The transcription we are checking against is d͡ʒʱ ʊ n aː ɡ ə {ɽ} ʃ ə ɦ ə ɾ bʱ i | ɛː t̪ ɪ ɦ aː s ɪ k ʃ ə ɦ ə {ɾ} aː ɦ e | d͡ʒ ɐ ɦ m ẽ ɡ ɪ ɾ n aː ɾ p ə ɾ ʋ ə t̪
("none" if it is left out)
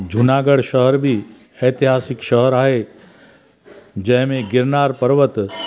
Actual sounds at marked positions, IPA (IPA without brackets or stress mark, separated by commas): ɽ, ɾ